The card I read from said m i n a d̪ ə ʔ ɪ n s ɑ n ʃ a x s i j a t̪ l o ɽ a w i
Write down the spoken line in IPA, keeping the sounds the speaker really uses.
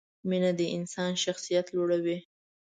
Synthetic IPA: m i n a d̪ ə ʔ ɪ n s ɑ n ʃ a x s i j a t̪ l o ɽ a w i

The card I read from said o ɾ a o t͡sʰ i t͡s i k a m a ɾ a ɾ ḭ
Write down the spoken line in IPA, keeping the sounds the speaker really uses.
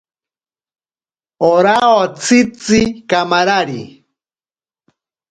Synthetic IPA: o ɾ a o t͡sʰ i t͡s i k a m a ɾ a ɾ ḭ

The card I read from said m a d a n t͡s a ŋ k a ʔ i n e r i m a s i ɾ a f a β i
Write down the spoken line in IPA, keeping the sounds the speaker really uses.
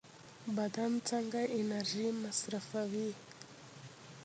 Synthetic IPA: b a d a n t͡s a ŋ ɡ a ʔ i n a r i m a s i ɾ a f a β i

